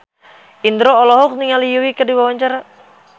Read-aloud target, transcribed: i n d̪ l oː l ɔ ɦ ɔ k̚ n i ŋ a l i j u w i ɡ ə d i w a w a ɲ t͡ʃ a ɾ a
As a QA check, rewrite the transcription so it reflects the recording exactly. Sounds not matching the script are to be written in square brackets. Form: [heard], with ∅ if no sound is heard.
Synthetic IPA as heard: i n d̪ [ɾ] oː l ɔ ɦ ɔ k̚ n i ŋ a l i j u w i [k] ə d i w a w a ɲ t͡ʃ a ɾ a